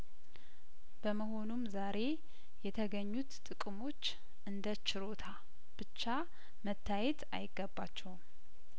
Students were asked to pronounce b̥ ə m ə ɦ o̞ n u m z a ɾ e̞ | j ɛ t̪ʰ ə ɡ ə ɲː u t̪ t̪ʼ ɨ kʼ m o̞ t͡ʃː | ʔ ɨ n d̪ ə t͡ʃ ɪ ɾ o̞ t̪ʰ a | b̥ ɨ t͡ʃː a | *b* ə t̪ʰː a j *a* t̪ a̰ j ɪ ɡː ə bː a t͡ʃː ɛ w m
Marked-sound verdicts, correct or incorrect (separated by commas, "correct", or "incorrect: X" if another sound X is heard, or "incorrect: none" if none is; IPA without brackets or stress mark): incorrect: m, incorrect: ɛ